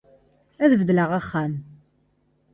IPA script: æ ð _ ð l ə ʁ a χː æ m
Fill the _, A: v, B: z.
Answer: A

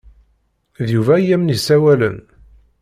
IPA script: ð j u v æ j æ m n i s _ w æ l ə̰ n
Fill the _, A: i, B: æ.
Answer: B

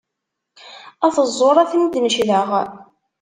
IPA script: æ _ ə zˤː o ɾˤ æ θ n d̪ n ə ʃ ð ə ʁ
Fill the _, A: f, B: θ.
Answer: B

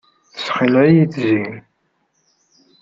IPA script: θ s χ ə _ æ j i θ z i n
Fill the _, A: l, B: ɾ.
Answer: A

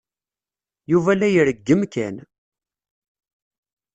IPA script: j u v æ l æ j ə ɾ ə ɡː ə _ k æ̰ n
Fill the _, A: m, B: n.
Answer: A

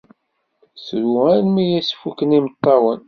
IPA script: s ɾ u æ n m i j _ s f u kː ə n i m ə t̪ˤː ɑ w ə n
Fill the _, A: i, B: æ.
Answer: B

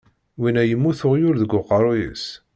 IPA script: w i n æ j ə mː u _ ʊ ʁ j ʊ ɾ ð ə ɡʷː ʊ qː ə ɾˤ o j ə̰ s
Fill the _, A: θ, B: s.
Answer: A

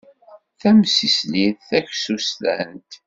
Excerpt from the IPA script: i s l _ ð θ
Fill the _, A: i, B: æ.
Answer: A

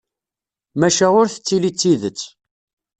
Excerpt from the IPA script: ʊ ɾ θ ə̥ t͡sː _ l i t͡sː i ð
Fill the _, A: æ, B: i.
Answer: B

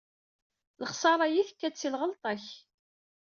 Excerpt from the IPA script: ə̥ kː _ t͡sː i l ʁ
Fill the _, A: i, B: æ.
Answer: B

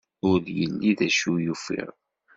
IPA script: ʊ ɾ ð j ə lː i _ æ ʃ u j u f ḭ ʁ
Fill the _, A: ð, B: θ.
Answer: A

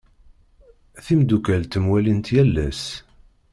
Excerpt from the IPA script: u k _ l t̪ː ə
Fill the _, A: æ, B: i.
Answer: A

